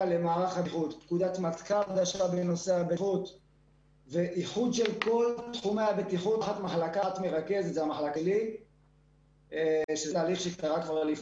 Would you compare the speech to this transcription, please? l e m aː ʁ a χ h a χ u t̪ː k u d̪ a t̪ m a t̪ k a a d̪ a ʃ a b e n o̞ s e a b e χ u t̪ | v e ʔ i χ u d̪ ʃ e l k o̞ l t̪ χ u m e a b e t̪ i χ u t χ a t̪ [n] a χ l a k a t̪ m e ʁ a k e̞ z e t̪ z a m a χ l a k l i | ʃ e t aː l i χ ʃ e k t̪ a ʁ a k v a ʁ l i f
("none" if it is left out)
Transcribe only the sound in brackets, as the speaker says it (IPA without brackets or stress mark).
m